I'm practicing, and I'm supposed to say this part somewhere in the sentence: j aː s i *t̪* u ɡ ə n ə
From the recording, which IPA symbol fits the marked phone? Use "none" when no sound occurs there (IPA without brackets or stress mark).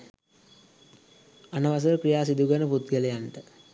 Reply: d̪